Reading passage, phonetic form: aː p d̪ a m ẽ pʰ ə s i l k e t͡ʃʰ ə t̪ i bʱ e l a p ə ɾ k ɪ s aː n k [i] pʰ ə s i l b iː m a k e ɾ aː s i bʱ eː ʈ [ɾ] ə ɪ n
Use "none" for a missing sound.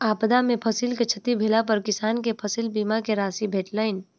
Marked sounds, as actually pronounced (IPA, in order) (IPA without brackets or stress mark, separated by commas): e, l